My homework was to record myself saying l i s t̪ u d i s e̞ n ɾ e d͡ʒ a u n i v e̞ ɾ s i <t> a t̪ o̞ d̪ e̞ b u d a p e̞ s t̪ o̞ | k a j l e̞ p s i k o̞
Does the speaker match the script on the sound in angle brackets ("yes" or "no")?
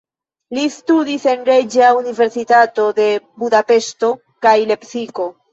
yes